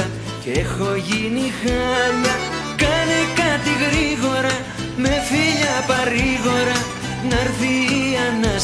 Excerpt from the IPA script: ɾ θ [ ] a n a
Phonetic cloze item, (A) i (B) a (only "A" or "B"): A